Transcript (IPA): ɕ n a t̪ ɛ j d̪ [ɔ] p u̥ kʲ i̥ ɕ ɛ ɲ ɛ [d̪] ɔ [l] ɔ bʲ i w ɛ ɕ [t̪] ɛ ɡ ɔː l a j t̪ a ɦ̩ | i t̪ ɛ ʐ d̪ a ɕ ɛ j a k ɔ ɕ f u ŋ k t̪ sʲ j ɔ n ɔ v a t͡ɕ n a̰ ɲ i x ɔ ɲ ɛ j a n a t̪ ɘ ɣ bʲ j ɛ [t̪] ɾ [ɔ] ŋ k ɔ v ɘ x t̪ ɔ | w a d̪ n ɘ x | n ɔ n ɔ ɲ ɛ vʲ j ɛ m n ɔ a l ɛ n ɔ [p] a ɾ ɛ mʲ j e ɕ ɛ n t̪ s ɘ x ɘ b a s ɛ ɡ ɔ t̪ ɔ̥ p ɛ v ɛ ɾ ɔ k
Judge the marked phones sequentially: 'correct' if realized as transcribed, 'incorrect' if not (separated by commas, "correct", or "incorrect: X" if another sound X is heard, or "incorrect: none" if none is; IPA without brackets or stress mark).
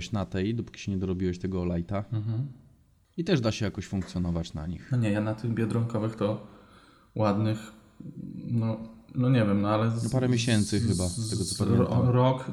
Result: correct, correct, incorrect: ɾ, correct, incorrect: d̪, correct, correct